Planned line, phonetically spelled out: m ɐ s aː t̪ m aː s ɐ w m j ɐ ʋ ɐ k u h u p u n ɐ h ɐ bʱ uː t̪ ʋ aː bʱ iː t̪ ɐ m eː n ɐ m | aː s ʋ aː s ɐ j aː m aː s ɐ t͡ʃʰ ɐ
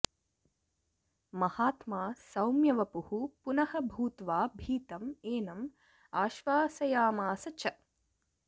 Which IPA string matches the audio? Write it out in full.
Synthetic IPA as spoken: m ɐ h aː t̪ m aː s ɐ w m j ɐ ʋ ɐ p u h u p u n ɐ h ɐ bʱ uː t̪ ʋ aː bʱ iː t̪ ɐ m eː n ɐ m | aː ʃ ʋ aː s ɐ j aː m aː s ɐ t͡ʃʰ ɐ